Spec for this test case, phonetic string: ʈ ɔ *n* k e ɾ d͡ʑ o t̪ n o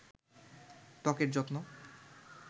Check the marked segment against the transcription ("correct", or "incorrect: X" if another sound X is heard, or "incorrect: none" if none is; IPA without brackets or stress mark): incorrect: none